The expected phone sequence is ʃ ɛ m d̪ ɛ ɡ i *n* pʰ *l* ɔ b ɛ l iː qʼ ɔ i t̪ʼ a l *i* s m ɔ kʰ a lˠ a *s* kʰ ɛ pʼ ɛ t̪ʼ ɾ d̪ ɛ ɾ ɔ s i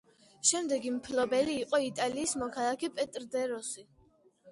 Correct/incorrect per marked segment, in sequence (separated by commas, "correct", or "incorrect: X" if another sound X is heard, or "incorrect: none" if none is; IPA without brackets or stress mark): incorrect: m, correct, incorrect: iː, incorrect: none